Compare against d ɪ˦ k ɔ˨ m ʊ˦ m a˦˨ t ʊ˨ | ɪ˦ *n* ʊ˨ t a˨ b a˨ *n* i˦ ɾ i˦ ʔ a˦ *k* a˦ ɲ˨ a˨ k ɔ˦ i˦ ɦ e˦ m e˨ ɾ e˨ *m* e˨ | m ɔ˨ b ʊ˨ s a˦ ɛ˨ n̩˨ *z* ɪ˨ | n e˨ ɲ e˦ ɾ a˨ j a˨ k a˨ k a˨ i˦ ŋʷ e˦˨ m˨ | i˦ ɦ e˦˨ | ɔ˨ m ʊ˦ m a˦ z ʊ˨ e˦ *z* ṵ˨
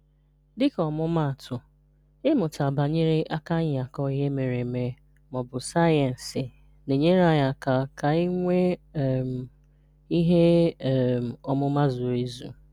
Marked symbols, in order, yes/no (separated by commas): no, no, yes, yes, no, yes